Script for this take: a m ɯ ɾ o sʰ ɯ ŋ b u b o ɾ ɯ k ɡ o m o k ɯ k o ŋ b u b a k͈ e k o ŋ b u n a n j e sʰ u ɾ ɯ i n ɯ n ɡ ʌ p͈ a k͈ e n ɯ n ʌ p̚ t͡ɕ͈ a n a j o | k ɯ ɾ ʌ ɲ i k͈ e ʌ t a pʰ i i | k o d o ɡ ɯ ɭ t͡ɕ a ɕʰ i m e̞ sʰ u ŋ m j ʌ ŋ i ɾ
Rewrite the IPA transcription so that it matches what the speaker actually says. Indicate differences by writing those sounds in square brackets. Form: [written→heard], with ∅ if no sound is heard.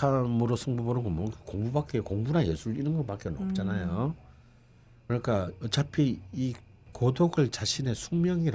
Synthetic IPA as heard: a m ɯ ɾ o sʰ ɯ ŋ b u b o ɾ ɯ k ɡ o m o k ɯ k o ŋ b u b a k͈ e k o ŋ b u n a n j e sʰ u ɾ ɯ i n ɯ n ɡ ʌ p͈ a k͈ e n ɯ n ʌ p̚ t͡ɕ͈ a n a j o | k ɯ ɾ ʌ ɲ i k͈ [e→a] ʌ [t→t͡ɕ] a pʰ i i | k o d o ɡ ɯ ɭ t͡ɕ a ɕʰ i [m→n] e̞ sʰ u ŋ m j ʌ ŋ i ɾ